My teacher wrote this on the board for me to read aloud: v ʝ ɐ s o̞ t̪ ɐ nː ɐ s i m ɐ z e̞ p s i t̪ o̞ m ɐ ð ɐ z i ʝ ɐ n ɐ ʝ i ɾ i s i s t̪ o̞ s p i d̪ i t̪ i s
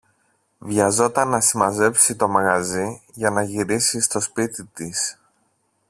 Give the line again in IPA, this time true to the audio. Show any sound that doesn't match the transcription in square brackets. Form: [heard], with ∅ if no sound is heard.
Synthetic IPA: v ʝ ɐ [z] o̞ t̪ ɐ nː ɐ s i m ɐ z e̞ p s i t̪ o̞ m ɐ [ɣ] ɐ z i ʝ ɐ n ɐ ʝ i ɾ i s i s t̪ o̞ s p i [t̪] i t̪ i s